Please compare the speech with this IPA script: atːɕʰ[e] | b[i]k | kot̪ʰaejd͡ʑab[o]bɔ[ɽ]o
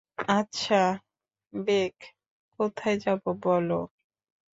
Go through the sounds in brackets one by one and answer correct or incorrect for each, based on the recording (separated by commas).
incorrect, incorrect, correct, incorrect